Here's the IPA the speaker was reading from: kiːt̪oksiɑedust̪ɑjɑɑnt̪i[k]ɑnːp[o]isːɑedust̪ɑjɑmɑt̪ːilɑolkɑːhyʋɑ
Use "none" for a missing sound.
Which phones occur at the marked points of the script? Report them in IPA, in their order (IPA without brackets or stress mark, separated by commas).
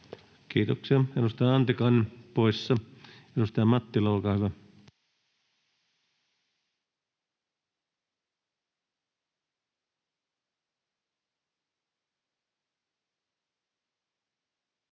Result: k, o